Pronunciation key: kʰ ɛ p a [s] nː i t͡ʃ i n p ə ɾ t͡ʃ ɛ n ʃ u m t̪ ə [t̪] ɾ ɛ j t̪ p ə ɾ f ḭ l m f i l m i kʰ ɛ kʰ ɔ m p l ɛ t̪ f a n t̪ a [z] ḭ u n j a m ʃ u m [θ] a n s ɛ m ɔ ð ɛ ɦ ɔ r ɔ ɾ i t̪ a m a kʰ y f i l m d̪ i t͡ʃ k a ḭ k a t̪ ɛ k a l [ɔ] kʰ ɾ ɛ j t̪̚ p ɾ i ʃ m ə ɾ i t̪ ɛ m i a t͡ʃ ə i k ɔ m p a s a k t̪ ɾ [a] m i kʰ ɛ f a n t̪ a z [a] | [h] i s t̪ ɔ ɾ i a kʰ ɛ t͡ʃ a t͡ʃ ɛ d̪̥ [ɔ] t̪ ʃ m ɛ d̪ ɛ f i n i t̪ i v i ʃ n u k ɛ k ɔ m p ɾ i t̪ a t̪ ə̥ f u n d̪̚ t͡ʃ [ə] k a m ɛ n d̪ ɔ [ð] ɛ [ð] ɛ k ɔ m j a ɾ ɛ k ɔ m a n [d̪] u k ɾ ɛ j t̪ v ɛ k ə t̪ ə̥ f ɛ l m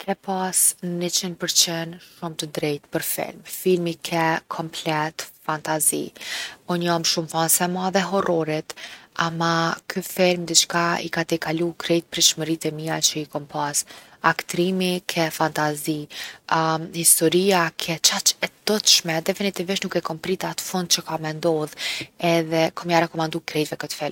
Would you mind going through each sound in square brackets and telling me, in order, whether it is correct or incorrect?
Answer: correct, incorrect, correct, incorrect, incorrect, incorrect, incorrect, correct, correct, correct, correct, correct, correct

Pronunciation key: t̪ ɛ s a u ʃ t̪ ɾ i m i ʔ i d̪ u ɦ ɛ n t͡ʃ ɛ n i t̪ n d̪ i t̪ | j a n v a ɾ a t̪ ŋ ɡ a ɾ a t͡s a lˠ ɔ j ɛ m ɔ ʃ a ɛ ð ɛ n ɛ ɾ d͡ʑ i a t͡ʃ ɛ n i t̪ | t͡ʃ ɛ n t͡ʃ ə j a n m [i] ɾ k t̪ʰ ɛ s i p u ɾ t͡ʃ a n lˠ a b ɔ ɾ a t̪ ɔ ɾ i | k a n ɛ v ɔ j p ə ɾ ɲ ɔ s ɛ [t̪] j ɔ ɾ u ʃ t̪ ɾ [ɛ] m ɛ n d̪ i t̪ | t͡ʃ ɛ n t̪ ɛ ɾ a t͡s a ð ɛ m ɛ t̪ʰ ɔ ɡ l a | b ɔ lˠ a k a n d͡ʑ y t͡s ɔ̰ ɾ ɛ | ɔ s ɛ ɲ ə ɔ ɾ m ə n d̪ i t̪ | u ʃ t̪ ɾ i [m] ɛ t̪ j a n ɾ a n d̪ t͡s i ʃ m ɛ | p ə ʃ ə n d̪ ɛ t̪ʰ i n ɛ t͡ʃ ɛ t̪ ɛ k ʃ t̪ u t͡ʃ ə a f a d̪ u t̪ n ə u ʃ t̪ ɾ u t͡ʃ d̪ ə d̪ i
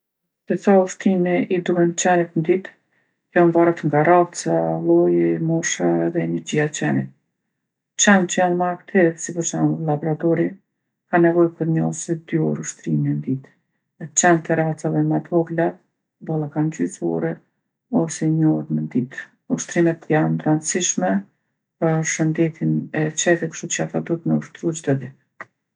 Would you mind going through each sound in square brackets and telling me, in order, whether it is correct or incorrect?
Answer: incorrect, incorrect, incorrect, correct

